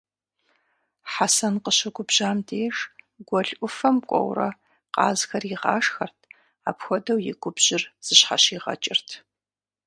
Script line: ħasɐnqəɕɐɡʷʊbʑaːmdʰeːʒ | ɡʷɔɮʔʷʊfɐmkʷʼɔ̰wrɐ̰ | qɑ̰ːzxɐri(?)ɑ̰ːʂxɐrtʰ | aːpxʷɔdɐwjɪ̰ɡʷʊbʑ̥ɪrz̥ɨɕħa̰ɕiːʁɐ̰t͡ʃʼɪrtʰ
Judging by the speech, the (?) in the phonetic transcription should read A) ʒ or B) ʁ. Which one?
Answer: B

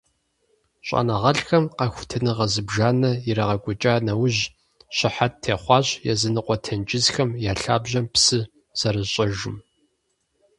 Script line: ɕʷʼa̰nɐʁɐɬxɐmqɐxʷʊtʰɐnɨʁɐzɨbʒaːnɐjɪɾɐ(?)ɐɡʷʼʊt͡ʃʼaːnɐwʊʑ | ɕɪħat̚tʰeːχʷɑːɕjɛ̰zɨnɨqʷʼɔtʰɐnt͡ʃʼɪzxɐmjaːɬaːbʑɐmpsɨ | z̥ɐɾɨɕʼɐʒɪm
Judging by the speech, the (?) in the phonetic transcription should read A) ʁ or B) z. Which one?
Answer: A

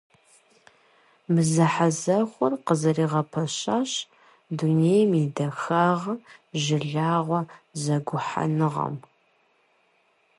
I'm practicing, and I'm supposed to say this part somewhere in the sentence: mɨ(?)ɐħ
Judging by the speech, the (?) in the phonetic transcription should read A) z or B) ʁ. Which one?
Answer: A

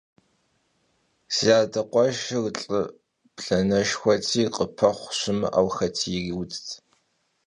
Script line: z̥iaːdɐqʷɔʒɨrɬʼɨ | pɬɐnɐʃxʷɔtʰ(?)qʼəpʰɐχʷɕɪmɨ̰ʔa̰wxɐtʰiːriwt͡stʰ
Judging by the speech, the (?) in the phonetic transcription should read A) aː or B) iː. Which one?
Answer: B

